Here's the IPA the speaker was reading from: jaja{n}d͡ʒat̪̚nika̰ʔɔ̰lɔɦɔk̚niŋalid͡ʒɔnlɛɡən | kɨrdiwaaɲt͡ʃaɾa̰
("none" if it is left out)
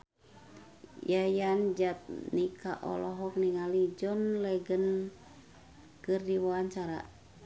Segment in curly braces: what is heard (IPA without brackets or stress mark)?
n